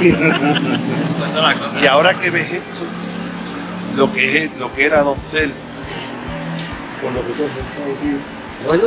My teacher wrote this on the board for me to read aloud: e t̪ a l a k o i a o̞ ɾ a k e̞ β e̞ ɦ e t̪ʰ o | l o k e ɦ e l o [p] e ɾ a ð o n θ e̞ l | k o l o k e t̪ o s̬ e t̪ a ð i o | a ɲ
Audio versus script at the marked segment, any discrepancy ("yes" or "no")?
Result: yes